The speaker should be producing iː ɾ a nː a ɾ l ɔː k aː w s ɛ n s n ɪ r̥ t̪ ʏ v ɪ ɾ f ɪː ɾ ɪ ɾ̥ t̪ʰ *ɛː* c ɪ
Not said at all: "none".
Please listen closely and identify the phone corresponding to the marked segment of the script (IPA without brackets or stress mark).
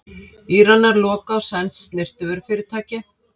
aː